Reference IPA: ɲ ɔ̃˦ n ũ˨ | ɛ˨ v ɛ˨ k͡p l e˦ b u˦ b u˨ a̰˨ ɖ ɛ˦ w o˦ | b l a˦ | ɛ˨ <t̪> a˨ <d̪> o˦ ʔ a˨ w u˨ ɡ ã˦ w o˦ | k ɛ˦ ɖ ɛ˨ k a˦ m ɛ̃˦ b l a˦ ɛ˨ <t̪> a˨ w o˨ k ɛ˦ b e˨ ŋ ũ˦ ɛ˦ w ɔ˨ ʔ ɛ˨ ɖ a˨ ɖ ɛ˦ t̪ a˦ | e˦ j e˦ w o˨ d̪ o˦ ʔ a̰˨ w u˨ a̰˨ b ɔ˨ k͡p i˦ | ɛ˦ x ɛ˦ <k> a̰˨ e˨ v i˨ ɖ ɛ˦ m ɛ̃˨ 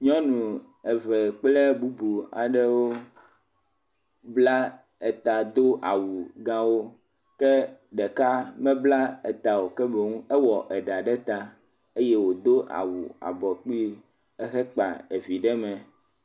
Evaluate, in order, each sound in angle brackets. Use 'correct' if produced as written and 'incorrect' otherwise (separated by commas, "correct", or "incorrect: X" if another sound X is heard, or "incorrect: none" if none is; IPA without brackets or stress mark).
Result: correct, correct, correct, incorrect: k͡p